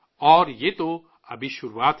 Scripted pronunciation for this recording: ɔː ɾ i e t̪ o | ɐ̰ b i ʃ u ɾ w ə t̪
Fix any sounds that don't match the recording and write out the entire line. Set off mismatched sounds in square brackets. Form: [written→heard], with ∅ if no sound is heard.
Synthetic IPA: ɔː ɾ [i→j] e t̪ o | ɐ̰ b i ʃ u ɾ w [ə→a] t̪